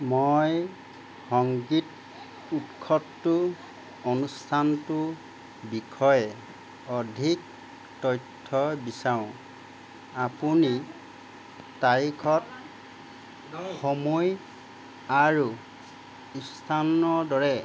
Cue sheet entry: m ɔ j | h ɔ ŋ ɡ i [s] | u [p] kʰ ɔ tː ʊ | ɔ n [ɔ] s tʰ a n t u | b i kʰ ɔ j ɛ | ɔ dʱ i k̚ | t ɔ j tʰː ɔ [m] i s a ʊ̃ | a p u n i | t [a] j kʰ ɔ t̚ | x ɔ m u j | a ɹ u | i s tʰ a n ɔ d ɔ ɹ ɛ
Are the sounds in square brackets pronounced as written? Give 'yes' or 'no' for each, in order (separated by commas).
no, no, no, no, yes